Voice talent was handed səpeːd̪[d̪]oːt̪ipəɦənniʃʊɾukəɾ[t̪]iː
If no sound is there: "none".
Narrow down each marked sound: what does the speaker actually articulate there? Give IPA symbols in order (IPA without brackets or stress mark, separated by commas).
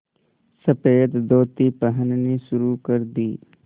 d̪, d̪